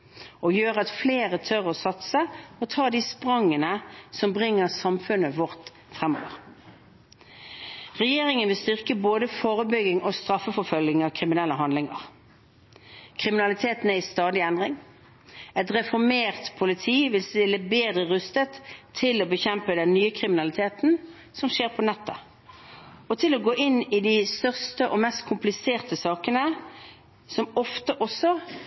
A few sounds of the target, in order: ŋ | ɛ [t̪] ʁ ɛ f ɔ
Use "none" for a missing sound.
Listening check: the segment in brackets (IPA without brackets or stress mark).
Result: t̪